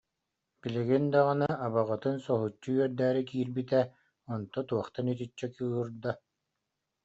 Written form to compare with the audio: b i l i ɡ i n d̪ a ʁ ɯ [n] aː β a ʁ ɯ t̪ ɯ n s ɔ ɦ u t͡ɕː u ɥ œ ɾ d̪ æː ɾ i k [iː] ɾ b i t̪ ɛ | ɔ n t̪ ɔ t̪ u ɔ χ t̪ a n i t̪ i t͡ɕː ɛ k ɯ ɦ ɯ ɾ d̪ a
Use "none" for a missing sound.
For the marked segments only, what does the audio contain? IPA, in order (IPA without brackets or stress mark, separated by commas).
n, iː